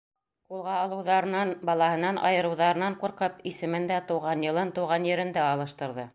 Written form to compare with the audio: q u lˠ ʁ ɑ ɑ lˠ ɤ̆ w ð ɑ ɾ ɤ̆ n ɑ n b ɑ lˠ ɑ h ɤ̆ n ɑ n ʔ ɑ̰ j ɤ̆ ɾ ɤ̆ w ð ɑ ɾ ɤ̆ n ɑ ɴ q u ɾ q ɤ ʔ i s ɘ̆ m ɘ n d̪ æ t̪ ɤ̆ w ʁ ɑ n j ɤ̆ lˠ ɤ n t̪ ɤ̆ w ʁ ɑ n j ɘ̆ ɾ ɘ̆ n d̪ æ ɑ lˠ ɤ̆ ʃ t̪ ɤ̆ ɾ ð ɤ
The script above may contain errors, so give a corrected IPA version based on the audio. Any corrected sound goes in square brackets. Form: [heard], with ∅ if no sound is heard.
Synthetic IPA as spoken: q u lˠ ʁ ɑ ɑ lˠ ɤ̆ w ð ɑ ɾ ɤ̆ n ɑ n b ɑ lˠ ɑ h ɤ̆ n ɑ n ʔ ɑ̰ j ɤ̆ ɾ ɤ̆ w ð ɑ ɾ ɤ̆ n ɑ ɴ q u ɾ q ɤ [p] i s ɘ̆ m ɘ n d̪ æ t̪ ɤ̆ w ʁ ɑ n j ɤ̆ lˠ ɤ n t̪ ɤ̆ w ʁ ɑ n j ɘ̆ ɾ ɘ̆ n d̪ æ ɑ lˠ ɤ̆ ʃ t̪ ɤ̆ ɾ ð ɤ